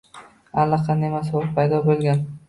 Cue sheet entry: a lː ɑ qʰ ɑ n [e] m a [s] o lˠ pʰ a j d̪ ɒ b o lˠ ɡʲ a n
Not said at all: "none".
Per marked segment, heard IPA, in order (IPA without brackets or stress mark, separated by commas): e, s